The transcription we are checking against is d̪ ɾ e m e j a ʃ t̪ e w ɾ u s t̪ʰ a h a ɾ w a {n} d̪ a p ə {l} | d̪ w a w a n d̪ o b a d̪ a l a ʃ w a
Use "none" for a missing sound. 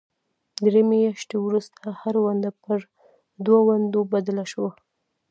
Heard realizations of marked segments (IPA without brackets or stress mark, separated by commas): n, ɾ